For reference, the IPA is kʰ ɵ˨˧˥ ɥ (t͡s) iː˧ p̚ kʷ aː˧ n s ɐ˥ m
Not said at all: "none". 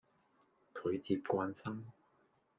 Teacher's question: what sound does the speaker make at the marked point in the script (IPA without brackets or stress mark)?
t͡s